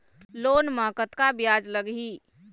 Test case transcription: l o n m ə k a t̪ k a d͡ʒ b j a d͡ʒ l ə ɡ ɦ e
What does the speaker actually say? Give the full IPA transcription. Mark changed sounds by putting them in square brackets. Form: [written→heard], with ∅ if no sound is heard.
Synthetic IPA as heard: l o n m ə k [a→ə] t̪ k a [d͡ʒ→∅] b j a d͡ʒ l ə ɡ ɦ [e→i]